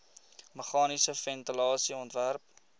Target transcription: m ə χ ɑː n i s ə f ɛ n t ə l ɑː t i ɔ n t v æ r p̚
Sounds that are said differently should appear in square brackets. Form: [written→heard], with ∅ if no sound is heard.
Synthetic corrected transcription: m ə χ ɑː n i s ə f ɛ n t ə l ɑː [t→s] i ɔ n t v æ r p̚

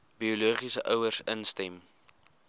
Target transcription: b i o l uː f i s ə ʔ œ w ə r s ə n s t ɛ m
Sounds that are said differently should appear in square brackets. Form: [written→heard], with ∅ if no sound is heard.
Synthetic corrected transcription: b i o l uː [f→χ] i s ə ʔ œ w ə r s ə n s t ɛ m

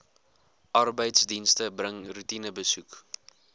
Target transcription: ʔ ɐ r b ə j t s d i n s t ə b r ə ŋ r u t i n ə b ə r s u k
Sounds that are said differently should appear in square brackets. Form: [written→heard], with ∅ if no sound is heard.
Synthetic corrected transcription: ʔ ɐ r b ə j t s d i n s t ə b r ə ŋ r u t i n ə b ə [r→∅] s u k

